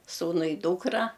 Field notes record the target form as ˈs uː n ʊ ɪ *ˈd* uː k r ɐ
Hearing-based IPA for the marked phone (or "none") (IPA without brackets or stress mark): d